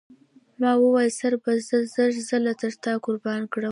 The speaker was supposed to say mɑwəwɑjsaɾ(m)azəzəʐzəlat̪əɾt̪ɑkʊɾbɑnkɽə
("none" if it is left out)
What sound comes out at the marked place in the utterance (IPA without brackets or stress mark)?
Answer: b